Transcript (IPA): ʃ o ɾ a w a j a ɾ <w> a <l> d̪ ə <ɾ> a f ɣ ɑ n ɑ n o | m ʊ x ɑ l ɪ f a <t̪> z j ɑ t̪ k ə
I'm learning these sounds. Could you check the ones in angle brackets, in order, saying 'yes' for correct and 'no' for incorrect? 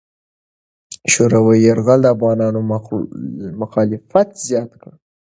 no, yes, no, yes

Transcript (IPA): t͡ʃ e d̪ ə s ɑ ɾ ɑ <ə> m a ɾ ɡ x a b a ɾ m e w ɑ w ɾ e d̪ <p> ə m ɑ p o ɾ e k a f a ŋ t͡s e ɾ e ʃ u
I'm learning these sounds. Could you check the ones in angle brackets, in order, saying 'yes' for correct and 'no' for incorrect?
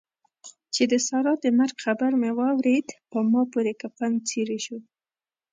yes, yes

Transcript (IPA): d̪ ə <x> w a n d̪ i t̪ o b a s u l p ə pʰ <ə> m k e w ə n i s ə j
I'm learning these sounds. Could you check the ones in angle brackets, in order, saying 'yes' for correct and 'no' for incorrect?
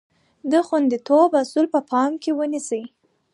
yes, no

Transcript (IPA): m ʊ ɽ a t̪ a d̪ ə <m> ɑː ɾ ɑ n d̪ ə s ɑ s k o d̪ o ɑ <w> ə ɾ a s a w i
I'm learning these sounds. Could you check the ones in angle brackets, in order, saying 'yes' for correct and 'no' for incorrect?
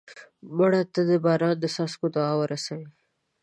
no, yes

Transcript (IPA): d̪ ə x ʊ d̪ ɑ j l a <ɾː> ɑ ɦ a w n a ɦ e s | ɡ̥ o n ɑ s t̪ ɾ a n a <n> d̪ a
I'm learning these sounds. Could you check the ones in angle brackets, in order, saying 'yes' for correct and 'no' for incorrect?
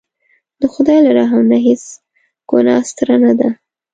no, no

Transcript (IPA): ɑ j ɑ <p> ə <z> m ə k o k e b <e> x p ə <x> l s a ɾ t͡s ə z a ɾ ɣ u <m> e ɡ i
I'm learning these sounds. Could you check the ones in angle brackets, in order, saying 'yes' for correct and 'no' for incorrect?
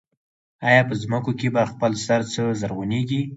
yes, yes, no, no, no

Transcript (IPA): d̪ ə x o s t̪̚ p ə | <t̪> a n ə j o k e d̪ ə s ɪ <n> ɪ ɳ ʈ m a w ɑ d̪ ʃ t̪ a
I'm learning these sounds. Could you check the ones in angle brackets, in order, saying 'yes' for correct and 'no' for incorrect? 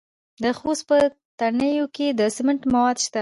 yes, no

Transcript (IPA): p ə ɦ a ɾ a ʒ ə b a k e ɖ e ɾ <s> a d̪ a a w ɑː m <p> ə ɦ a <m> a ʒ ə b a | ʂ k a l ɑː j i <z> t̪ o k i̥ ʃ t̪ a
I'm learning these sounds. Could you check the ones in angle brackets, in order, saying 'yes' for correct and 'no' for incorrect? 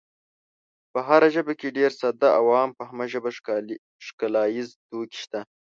yes, yes, yes, yes

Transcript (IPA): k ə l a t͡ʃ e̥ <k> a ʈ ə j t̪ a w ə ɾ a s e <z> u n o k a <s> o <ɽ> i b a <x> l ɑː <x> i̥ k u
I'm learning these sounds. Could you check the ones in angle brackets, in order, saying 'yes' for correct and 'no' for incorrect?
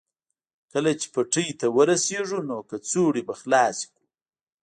no, no, no, yes, yes, no

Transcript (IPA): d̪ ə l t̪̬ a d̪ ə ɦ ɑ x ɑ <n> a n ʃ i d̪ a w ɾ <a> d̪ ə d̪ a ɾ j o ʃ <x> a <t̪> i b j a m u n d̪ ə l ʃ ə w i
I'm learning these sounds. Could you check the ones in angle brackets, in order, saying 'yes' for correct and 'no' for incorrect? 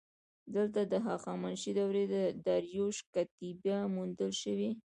no, no, no, yes

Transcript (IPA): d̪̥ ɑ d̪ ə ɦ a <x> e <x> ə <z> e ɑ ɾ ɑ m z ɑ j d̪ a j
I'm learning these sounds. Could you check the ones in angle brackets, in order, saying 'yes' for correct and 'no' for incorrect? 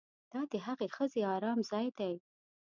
no, yes, yes

